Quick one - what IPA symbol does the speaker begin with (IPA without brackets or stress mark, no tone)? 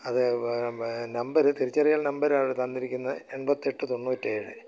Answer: ɐ